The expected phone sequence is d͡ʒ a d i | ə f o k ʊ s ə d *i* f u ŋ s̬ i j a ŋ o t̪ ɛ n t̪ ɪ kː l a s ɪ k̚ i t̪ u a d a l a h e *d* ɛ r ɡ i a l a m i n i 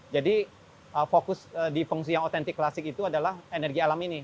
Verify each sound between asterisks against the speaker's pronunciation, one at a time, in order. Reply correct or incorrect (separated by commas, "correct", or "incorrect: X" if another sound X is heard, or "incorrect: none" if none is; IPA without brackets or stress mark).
correct, incorrect: n